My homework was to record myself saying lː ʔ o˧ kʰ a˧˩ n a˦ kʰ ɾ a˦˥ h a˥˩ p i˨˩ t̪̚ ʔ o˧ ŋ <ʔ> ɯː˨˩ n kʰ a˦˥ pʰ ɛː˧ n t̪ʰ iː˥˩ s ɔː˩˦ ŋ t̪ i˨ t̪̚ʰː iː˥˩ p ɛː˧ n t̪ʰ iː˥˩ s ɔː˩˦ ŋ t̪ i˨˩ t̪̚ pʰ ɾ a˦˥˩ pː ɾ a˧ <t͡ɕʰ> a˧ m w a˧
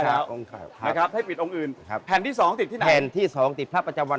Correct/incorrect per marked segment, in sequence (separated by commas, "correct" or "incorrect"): correct, incorrect